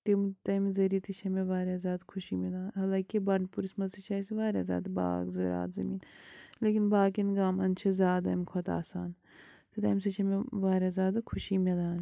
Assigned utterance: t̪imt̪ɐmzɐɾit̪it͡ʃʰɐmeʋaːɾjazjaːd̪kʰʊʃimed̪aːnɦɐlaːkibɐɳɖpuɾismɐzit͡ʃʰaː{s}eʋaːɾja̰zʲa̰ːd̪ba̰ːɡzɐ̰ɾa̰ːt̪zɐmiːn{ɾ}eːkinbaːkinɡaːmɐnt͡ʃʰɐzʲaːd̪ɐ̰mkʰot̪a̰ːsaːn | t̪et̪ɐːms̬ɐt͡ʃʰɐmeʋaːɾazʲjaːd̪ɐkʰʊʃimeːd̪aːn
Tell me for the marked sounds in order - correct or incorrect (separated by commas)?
correct, incorrect